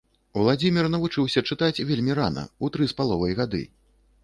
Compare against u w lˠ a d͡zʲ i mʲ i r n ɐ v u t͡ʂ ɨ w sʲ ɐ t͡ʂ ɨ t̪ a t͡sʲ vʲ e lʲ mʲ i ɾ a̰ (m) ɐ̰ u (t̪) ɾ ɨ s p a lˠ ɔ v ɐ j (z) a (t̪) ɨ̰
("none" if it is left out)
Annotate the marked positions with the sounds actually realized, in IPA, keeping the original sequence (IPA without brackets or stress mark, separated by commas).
n, t̪, ɣ, d̪